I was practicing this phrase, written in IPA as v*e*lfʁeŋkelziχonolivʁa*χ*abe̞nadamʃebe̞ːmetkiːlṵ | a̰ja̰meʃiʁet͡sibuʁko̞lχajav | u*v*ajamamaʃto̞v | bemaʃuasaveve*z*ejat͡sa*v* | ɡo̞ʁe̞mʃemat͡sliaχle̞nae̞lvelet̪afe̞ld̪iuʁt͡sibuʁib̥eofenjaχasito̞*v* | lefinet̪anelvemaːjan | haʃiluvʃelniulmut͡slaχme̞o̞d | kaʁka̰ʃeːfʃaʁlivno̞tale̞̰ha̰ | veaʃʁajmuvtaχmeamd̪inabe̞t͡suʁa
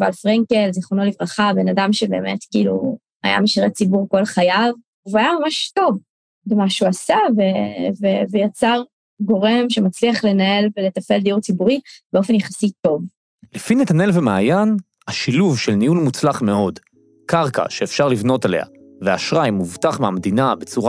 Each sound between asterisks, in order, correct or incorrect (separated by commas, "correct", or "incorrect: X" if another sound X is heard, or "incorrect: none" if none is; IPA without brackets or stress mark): incorrect: a, correct, correct, incorrect: v, incorrect: ʁ, correct